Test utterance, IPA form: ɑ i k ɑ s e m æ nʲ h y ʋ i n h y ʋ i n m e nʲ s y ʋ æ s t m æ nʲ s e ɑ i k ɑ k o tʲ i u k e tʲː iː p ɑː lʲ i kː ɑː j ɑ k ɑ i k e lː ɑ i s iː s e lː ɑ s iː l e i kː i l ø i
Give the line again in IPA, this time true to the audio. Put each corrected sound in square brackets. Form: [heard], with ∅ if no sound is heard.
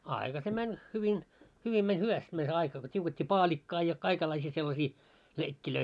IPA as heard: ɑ i k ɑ s e m æ nʲ h y ʋ i n h y ʋ i n m e nʲ [h] y ʋ æ s t m æ nʲ s e ɑ i k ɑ k o tʲ i u k e tʲː iː p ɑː lʲ i kː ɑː j ɑ k ɑ i k e lː ɑ i s iː s e lː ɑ s iː l e i kː i l ø i